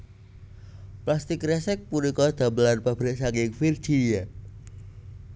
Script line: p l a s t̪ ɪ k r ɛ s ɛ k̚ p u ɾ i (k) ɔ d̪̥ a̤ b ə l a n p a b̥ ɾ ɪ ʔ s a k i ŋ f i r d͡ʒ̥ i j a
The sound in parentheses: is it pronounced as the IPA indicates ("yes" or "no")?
yes